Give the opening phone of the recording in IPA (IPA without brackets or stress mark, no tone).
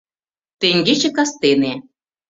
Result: t̪